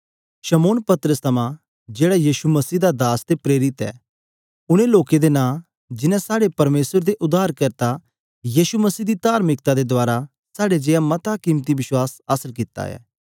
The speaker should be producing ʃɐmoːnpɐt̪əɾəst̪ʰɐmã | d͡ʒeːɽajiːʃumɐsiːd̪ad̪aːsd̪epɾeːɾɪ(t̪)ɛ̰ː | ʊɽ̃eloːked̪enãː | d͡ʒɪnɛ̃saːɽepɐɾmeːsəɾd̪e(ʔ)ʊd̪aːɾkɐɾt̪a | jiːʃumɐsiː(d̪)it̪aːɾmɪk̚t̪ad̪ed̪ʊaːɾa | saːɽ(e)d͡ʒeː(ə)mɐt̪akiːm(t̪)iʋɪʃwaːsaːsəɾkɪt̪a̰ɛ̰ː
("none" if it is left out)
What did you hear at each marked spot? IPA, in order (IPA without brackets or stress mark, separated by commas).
t̪, ʔ, d̪, e, a, t̪